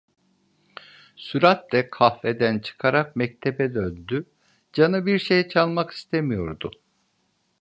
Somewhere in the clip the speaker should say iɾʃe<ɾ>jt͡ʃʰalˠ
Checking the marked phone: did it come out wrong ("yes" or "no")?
yes